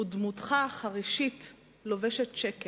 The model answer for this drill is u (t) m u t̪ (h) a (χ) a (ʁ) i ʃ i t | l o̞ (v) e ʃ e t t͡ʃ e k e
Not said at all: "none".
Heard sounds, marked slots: d, χ, χ, ʁ, v

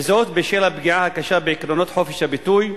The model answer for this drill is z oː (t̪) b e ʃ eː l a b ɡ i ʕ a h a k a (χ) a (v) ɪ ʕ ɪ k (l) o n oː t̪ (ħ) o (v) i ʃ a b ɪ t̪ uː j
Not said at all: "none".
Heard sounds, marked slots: t̪, ʃ, b, ɾ, ħ, f

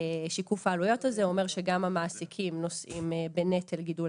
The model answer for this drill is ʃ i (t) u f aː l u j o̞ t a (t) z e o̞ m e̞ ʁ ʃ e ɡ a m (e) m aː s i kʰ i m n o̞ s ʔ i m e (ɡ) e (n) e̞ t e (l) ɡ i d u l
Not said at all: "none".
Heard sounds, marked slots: k, none, a, b, n, l

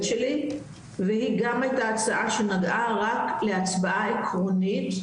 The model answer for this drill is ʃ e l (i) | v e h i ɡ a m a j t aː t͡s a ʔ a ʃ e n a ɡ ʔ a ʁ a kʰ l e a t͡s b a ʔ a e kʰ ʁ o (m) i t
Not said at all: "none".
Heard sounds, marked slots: i, n

